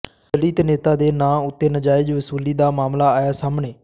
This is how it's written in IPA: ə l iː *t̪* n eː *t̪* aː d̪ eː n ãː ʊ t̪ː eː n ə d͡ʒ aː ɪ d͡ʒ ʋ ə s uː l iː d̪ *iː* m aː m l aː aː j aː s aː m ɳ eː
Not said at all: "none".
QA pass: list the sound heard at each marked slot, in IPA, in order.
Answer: t̪, t̪, aː

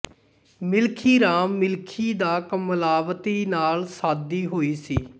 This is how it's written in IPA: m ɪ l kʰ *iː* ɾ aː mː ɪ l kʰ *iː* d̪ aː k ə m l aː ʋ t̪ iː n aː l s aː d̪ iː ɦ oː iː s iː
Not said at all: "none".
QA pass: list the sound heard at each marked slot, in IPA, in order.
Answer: iː, iː

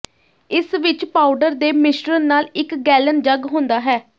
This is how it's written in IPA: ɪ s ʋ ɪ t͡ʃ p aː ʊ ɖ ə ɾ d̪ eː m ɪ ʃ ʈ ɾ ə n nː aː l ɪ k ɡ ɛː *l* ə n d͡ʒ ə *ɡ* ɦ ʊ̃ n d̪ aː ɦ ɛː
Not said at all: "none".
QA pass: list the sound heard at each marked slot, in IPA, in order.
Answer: l, ɡ

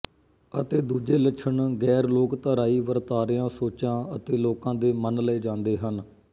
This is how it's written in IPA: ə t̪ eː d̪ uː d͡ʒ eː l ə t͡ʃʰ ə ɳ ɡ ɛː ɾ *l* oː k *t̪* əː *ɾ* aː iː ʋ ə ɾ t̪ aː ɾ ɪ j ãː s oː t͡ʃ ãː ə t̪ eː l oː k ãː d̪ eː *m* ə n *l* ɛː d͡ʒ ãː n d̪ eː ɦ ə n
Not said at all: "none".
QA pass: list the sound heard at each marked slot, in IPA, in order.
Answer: l, t̪, ɾ, m, l

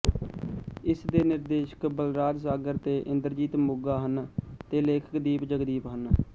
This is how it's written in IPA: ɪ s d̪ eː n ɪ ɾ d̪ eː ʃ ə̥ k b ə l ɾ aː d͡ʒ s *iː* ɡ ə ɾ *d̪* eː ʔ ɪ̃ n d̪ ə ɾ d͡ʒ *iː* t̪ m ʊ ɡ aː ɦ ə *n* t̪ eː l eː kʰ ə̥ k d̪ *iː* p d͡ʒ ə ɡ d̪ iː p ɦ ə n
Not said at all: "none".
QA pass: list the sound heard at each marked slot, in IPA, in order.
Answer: aː, t̪, iː, n, iː

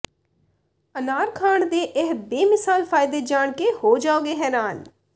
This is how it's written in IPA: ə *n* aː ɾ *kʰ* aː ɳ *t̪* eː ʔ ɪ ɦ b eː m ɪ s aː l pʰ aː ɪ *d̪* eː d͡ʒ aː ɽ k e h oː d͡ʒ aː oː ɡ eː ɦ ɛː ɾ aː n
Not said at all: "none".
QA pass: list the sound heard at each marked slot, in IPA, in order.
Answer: n, kʰ, d̪, d̪

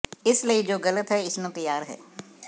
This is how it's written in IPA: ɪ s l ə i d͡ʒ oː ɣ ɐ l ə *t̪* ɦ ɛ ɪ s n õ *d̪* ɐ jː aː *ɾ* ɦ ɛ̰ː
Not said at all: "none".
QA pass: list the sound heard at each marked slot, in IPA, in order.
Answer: t̪, t̪, ɾ

